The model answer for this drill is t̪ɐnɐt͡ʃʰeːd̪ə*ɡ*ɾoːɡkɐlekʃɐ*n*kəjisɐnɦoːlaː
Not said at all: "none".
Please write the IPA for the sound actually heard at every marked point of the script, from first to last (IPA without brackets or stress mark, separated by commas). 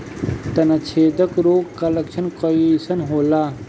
k, n